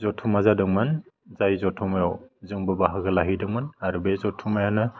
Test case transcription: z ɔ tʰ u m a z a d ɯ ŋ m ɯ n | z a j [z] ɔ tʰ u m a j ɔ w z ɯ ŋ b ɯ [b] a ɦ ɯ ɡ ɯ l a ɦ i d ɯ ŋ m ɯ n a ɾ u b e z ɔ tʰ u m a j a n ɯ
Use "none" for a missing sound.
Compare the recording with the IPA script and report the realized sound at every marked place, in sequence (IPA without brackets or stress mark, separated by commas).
z, b